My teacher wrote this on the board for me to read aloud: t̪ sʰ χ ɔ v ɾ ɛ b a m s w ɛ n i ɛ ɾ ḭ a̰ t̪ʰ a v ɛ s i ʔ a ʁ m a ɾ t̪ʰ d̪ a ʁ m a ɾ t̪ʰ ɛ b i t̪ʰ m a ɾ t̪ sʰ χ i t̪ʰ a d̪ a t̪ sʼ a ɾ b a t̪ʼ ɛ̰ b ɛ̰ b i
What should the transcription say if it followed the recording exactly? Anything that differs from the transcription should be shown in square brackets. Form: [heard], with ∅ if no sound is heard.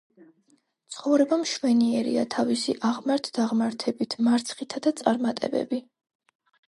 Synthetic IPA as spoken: t̪ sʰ χ ɔ v ɾ ɛ b a m [ʃ] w ɛ n i ɛ ɾ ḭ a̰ t̪ʰ a v [i] s i ʔ a ʁ m a ɾ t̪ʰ d̪ a ʁ m a ɾ t̪ʰ ɛ b i t̪ʰ m a ɾ t̪ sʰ χ i t̪ʰ a d̪ a t̪ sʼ a ɾ [m] a t̪ʼ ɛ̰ b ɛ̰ b i